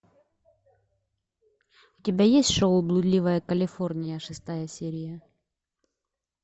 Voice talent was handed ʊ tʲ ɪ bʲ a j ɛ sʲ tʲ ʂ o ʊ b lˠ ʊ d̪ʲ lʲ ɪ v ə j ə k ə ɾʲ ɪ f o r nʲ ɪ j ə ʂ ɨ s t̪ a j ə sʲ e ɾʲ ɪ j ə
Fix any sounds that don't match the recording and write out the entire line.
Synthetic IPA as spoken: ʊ tʲ ɪ bʲ a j e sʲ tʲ ʂ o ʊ b lˠ ʊ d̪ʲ lʲ i v ə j ə k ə lʲ ɪ f o r nʲ ɪ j ə ʂ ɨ s t̪ a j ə sʲ e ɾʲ ɪ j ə